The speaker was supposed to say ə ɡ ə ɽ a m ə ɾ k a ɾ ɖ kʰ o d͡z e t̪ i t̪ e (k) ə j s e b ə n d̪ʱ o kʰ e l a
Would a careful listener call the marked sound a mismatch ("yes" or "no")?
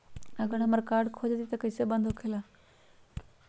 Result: no